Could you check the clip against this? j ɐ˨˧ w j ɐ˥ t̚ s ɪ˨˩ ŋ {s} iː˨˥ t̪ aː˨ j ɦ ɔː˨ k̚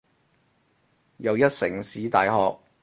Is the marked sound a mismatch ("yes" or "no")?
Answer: no